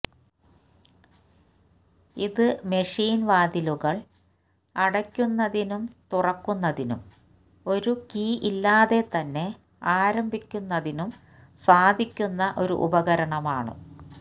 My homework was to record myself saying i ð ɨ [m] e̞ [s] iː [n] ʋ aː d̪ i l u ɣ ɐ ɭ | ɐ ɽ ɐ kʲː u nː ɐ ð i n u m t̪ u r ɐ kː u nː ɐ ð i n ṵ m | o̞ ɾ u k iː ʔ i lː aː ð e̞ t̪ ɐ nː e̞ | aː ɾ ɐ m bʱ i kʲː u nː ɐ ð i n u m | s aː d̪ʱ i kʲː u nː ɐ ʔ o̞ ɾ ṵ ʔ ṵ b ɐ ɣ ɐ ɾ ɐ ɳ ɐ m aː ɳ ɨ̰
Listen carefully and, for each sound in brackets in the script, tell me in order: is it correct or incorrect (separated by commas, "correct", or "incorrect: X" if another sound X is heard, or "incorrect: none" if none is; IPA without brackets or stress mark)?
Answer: correct, incorrect: ʂ, correct